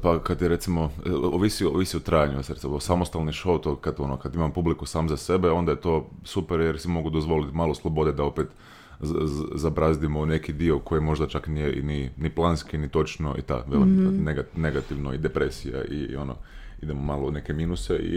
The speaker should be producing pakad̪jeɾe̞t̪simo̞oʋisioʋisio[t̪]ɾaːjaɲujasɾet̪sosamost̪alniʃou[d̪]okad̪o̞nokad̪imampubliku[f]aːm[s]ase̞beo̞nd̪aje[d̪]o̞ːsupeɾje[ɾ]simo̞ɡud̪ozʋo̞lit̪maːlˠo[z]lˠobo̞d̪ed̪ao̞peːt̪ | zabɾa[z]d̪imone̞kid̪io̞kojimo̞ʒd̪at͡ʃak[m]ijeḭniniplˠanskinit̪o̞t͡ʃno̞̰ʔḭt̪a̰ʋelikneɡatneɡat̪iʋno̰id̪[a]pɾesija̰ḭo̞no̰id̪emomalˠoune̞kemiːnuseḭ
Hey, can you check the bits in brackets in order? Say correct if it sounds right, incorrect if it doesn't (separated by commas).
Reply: correct, incorrect, incorrect, incorrect, incorrect, correct, incorrect, correct, incorrect, incorrect